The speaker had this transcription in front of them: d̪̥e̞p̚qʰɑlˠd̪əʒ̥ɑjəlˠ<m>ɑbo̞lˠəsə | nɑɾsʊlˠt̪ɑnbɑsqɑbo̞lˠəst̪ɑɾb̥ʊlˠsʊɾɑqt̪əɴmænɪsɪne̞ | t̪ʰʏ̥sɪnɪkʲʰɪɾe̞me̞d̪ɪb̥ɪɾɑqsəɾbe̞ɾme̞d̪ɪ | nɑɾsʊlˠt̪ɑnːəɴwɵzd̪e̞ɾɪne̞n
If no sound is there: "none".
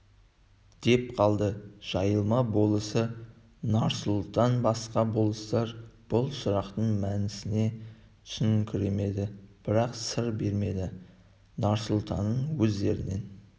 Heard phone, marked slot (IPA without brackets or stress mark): m